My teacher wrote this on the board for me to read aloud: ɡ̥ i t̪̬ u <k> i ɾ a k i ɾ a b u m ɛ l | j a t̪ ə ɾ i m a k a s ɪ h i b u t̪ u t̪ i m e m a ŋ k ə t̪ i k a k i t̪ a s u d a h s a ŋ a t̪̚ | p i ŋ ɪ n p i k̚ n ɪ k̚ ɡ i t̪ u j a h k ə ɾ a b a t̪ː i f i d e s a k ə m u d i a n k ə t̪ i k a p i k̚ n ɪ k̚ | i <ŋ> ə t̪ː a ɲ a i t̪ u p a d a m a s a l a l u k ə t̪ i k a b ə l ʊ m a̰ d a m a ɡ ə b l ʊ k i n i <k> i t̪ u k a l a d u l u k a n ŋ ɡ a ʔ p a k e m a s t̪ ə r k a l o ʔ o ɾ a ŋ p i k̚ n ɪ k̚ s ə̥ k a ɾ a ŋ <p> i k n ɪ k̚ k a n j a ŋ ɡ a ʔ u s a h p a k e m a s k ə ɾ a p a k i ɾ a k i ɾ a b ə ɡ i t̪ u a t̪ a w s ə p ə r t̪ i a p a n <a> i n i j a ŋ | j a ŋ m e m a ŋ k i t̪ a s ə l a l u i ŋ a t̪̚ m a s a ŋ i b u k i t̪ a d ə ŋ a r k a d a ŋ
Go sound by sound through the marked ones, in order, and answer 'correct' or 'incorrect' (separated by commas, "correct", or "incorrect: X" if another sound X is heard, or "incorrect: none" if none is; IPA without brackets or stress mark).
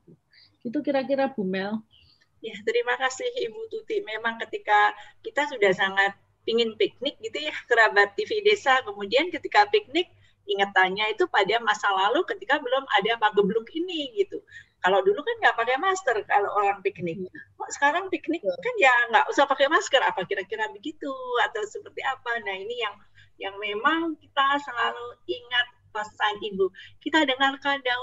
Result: correct, correct, incorrect: ɡ, correct, correct